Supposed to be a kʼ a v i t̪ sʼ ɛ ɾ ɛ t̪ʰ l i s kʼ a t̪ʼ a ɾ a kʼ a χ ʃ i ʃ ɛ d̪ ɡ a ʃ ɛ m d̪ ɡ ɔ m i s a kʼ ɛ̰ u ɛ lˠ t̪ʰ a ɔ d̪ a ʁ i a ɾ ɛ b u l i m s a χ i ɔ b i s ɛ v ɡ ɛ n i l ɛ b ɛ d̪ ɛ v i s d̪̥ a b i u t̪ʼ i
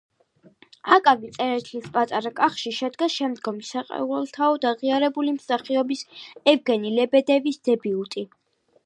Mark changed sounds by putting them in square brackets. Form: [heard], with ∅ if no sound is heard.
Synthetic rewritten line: a kʼ a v i t̪ sʼ ɛ ɾ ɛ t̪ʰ l i s [pʼ] a t̪ʼ a ɾ a kʼ a χ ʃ i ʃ ɛ d̪ ɡ a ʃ ɛ m d̪ ɡ ɔ m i s a [qʼ] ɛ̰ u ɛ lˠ t̪ʰ a ɔ d̪ a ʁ i a ɾ ɛ b u l i m s a χ i ɔ b i s ɛ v ɡ ɛ n i l ɛ b ɛ d̪ ɛ v i s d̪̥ [ɛ] b i u t̪ʼ i